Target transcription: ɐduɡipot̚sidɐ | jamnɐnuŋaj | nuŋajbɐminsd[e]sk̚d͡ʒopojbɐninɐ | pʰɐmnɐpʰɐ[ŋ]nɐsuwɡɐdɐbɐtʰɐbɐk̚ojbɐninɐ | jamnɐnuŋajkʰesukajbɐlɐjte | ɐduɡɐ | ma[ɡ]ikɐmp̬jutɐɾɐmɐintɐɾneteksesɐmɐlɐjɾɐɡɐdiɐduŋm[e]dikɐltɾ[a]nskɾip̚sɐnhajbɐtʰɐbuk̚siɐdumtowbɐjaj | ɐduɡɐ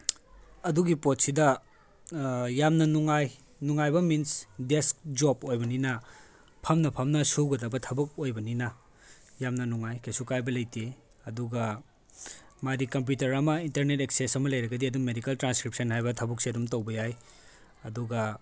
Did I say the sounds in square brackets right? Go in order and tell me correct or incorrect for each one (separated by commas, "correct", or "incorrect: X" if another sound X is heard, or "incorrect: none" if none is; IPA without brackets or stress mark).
correct, incorrect: m, incorrect: d, correct, correct